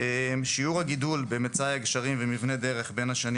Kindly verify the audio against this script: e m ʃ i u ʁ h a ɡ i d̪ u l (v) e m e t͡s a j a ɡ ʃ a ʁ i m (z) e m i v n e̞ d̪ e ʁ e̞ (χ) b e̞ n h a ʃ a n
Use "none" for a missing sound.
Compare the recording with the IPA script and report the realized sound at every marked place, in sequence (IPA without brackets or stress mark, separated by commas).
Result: b, v, χ